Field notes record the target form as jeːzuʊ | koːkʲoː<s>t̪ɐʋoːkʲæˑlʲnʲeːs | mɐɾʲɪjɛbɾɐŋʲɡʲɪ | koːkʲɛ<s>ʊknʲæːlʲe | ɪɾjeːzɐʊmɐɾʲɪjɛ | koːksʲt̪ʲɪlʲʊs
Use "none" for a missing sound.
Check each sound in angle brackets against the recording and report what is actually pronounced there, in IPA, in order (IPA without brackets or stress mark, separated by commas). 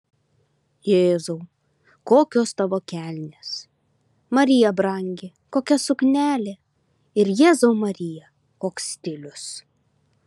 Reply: s, s